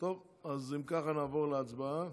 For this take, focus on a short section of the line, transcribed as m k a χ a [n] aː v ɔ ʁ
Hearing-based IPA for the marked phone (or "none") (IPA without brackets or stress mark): n